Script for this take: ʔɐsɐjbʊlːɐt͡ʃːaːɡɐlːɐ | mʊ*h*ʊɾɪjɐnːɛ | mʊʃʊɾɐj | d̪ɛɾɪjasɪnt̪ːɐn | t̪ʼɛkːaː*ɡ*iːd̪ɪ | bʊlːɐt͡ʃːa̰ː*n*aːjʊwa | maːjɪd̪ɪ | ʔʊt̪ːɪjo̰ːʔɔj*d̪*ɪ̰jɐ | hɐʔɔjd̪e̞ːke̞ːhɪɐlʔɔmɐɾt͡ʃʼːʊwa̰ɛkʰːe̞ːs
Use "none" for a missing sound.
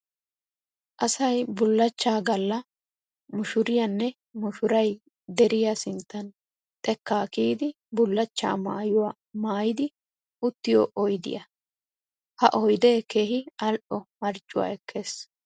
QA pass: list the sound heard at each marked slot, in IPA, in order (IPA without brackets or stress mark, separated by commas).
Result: ʃ, k, m, d̪